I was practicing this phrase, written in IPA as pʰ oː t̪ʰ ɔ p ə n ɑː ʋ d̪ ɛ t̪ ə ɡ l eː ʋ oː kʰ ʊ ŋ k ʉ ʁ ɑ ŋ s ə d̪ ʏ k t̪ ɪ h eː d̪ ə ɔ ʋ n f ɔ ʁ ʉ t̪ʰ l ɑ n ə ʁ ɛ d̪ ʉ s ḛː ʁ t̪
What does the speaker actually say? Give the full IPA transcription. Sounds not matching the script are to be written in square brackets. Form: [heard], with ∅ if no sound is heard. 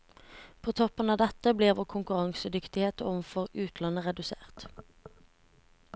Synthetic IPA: pʰ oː t̪ʰ ɔ p ə n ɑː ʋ d̪ ɛ t̪ ə [b] l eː ʋ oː kʰ ʊ ŋ k ʉ ʁ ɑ ŋ s ə d̪ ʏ k t̪ ɪ h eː [t̪] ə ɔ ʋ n f ɔ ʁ [ʉː] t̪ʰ l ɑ n ə ʁ ɛ d̪ ʉ s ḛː ʁ t̪